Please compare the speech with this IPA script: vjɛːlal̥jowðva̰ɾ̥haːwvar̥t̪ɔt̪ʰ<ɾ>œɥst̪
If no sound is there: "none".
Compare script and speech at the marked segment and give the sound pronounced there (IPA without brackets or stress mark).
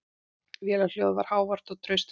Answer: ɾ